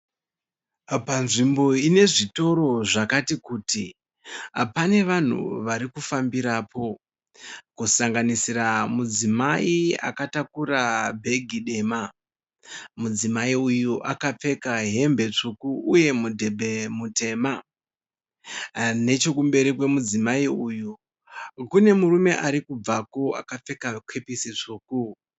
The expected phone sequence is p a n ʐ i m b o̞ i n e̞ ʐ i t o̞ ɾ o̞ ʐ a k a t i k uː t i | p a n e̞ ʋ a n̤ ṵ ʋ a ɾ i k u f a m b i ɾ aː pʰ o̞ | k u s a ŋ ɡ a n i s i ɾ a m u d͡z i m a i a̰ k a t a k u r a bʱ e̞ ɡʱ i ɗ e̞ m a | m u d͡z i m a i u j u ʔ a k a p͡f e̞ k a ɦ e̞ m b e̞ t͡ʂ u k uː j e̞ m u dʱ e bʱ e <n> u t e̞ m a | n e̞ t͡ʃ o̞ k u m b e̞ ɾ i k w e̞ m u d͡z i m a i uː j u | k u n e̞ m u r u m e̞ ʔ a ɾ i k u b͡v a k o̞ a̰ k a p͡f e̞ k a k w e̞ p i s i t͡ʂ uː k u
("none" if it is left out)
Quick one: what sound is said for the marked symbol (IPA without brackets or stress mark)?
m